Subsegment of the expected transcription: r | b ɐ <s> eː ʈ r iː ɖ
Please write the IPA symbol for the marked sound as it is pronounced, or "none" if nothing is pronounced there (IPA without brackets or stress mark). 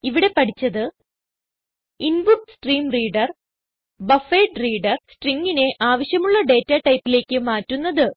f